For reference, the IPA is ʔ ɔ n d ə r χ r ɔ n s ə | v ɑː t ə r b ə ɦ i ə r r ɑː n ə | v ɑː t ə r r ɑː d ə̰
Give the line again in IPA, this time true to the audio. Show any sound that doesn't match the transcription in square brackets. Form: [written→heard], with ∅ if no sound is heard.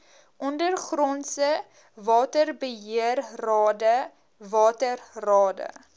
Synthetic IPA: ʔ ɔ n d ə r χ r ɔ n s ə | v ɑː t ə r b ə ɦ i ə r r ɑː [n→d] ə | v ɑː t ə r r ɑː d ə̰